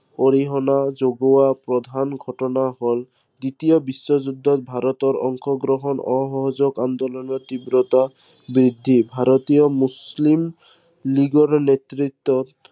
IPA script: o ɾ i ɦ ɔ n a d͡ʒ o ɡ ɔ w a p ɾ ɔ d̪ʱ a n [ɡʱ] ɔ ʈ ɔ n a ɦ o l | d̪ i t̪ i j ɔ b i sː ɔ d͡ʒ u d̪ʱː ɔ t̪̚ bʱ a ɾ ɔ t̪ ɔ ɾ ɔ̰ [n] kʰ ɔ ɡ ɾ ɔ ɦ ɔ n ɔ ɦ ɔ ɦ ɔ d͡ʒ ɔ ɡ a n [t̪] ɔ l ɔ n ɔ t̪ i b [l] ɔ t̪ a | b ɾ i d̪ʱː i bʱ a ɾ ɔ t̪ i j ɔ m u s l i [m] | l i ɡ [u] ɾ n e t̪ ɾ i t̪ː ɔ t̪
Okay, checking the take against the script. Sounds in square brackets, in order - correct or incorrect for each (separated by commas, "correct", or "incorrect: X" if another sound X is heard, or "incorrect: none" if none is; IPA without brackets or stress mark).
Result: correct, incorrect: ŋ, incorrect: d̪, incorrect: ɾ, correct, incorrect: ɔ